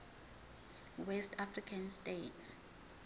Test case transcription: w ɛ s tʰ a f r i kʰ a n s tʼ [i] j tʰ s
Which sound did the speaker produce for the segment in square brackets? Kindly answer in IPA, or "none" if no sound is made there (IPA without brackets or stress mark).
e